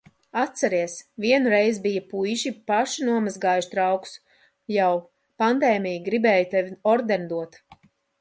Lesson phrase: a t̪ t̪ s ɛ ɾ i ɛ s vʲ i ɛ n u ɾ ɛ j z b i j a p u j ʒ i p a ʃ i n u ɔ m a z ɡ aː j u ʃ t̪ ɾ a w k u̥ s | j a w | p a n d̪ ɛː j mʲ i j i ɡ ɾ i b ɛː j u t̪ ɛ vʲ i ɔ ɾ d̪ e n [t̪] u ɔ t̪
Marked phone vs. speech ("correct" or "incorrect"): incorrect